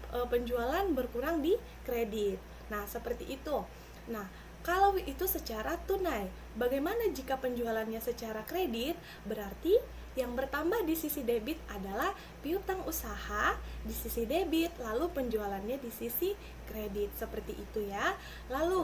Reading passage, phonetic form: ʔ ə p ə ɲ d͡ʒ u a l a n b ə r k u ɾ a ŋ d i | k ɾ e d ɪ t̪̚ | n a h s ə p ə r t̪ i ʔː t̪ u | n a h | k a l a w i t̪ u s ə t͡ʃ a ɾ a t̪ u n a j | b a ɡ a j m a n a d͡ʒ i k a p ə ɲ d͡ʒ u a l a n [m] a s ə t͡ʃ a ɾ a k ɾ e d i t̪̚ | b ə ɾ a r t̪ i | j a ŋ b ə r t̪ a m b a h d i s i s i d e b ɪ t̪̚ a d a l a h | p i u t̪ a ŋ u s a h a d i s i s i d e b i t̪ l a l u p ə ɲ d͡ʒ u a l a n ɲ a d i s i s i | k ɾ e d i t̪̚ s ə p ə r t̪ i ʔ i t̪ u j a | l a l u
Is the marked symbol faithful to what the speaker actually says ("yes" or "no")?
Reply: no